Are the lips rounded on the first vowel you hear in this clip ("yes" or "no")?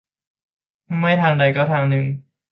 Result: no